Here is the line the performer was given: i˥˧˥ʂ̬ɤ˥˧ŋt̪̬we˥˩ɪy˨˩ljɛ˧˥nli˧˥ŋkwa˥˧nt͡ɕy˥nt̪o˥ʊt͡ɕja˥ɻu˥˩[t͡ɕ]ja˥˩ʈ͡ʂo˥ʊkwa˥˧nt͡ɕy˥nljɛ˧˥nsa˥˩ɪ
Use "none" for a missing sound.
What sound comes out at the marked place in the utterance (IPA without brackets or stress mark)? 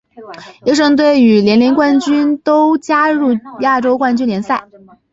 none